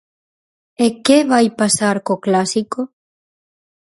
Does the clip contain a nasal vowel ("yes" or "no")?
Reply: no